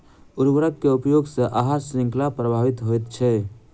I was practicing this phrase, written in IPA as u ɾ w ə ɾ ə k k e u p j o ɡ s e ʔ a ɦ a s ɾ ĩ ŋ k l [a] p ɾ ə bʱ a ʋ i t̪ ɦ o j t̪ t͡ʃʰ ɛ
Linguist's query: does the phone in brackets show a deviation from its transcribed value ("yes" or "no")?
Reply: no